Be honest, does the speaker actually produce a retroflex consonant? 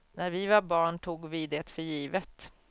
yes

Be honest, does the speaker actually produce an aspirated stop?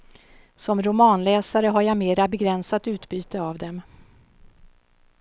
no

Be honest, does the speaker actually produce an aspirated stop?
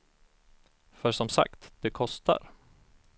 yes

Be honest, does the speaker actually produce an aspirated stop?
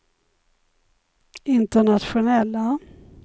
no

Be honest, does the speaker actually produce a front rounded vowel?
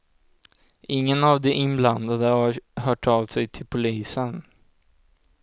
yes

